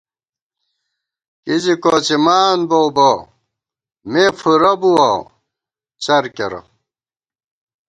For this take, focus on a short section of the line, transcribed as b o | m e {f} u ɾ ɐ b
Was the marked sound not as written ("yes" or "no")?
no